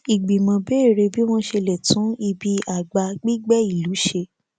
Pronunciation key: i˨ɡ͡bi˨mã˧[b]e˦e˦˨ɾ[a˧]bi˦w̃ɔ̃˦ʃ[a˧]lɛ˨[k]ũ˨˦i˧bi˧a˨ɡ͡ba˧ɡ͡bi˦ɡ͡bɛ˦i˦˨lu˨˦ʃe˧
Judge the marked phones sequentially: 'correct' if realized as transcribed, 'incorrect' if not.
correct, incorrect, incorrect, incorrect

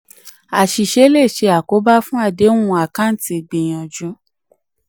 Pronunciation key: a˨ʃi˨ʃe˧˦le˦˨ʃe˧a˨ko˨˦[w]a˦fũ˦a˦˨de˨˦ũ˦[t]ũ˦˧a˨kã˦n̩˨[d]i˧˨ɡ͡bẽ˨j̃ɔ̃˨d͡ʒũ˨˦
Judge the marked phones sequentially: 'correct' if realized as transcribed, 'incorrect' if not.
incorrect, incorrect, incorrect

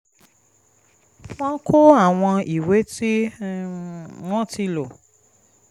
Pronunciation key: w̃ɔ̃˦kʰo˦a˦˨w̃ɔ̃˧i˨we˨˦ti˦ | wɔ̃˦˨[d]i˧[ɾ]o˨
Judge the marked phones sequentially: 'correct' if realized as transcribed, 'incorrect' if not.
incorrect, incorrect

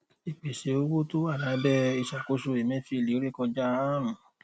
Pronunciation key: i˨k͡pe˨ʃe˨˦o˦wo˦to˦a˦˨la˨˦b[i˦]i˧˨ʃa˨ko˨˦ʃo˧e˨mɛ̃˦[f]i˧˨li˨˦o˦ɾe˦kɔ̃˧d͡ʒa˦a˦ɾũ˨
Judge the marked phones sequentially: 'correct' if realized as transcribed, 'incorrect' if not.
incorrect, correct

